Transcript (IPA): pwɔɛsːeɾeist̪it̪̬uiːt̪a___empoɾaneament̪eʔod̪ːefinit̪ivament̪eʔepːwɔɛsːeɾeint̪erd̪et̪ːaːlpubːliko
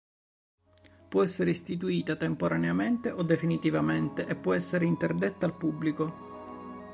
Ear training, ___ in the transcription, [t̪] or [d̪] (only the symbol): t̪